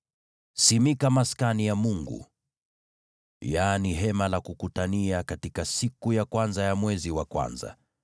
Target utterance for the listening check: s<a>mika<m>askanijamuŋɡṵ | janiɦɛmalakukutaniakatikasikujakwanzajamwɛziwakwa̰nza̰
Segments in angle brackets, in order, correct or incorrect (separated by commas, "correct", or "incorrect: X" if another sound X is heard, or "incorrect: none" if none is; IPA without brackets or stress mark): incorrect: i, correct